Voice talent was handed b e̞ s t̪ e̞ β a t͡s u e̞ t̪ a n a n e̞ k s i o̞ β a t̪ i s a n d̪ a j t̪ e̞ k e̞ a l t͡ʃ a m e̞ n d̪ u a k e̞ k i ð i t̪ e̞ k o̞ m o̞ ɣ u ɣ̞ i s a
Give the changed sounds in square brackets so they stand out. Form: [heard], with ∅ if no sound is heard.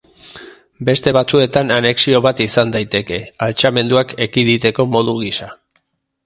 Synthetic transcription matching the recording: b e̞ s t̪ e̞ β a t͡s u e̞ t̪ a n a n e̞ k s i o̞ β a t̪ i s a n d̪ a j t̪ e̞ k e̞ a l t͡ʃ a m e̞ n d̪ u a k e̞ k i ð i t̪ e̞ k o̞ m o̞ [ð] u ɣ̞ i s a